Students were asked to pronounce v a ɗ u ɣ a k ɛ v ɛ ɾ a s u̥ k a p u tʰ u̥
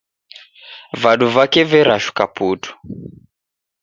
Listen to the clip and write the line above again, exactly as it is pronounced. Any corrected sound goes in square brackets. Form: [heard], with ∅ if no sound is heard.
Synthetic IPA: v a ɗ u [v] a k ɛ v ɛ ɾ a [ʃ] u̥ k a p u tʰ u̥

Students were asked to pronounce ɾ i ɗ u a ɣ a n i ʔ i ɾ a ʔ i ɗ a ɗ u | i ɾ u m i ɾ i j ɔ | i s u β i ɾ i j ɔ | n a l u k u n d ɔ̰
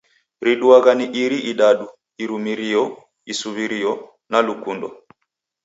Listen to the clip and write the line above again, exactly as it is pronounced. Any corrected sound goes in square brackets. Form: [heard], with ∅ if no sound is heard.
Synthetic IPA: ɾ i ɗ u a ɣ a n i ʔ i ɾ [i] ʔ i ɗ a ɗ u | i ɾ u m i ɾ i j ɔ | i s u β i ɾ i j ɔ | n a l u k u n d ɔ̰

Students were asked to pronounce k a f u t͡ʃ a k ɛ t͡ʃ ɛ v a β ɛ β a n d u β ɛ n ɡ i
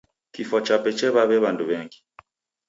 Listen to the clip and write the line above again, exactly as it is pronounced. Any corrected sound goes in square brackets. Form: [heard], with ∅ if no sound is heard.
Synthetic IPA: k [i] f [ɔ] t͡ʃ a [p] ɛ t͡ʃ ɛ [β] a β ɛ β a n d u β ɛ [ŋ] ɡ i

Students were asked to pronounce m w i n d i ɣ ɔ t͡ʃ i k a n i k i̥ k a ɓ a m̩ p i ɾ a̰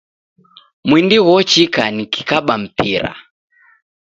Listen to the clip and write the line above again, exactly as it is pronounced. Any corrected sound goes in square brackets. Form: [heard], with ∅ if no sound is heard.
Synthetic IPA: m w i n d i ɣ ɔ t͡ʃ i k a n i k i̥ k a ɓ a m̩ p i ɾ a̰

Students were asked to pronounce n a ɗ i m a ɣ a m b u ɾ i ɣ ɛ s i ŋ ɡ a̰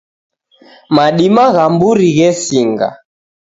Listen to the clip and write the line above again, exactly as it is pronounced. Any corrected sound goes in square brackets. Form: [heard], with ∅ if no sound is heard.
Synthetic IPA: [m] a ɗ i m a ɣ a m b u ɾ i ɣ ɛ s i ŋ ɡ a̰

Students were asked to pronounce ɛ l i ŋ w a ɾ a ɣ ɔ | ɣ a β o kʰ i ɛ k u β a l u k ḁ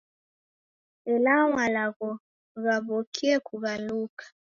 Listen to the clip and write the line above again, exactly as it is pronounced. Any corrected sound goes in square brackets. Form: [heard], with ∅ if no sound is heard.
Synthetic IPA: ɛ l [a] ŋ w a [l] a ɣ ɔ | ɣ a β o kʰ i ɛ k u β a l u k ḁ

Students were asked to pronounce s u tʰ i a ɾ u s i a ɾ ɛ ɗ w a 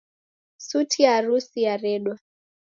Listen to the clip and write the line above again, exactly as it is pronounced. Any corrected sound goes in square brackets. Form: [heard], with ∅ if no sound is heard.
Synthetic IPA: s u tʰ i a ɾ u s i a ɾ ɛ ɗ w a

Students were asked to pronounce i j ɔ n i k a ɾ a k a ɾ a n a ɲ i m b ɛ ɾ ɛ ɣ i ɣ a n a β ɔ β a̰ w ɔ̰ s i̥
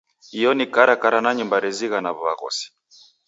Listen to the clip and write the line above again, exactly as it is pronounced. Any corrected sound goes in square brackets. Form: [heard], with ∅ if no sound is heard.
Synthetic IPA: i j ɔ n i k a ɾ a k a ɾ a n a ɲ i m b [a] ɾ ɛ [z] i ɣ a n a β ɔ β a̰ [ɣ] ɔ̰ s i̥

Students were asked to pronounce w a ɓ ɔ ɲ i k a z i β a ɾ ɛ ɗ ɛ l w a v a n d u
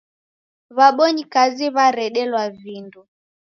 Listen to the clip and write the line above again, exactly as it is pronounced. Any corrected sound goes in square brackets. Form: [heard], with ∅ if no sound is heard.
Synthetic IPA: [β] a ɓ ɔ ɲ i k a z i β a ɾ ɛ ɗ ɛ l w a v [i] n d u

